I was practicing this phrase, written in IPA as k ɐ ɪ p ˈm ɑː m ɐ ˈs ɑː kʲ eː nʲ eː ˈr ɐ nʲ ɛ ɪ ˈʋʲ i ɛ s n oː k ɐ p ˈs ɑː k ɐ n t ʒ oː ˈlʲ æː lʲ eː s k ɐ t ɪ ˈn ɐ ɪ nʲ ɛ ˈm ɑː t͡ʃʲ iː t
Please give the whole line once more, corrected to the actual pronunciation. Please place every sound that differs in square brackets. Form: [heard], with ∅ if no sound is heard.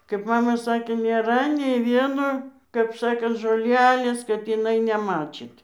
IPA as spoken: k ɐ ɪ p ˈm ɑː m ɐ ˈs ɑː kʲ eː nʲ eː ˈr ɐ nʲ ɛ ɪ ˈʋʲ i ɛ [∅] n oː k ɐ p ˈs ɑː k ɐ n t ʒ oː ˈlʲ æː lʲ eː s k ɐ t ɪ ˈn ɐ ɪ nʲ ɛ ˈm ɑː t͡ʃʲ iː t